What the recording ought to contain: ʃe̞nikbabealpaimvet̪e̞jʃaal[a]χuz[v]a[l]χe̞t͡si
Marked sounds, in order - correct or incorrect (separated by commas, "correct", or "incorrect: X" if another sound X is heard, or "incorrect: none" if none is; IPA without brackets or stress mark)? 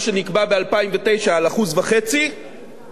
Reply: correct, correct, incorrect: none